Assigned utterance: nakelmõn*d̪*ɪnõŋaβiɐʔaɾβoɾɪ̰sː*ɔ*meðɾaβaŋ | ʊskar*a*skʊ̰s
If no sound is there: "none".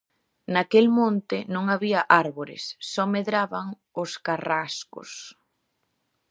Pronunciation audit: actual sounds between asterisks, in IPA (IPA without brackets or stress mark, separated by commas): t̪, ɔ, a